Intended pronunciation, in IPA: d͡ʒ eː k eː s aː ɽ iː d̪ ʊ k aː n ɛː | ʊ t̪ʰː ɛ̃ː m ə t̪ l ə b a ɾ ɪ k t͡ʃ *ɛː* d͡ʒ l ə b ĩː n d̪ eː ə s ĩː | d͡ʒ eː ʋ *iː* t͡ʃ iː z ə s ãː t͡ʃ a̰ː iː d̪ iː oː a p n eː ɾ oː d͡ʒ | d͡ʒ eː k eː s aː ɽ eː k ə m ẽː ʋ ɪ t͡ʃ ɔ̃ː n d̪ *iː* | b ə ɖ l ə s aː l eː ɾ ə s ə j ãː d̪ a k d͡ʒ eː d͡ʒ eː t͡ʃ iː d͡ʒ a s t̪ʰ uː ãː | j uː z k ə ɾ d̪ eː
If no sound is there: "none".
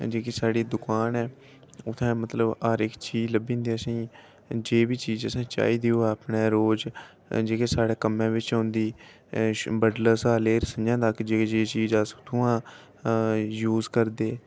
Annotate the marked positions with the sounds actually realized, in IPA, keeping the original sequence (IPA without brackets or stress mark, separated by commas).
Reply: iː, iː, iː